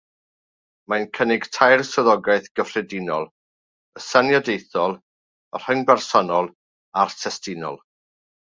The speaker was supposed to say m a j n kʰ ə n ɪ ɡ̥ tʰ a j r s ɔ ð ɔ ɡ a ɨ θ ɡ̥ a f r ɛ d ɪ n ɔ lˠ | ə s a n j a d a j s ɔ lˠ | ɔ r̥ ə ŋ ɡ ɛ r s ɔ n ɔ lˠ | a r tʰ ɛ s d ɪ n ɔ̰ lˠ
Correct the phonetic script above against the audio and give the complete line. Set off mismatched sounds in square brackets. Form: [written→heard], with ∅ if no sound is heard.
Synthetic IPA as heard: m a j n kʰ ə n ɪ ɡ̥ tʰ a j r s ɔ ð ɔ ɡ a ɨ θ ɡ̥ [a→ə] f r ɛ d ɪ n ɔ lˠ | ə s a n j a d [a→e] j [s→θ] ɔ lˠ | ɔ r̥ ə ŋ [ɡ→b] ɛ r s ɔ n ɔ lˠ | a r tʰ ɛ s [d→t] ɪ n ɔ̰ lˠ